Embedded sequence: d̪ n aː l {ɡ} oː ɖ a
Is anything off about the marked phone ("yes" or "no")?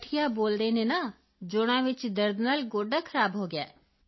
no